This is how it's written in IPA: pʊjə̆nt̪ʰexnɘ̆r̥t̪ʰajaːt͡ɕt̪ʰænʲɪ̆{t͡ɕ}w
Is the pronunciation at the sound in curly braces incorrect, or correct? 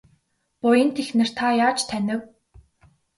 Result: incorrect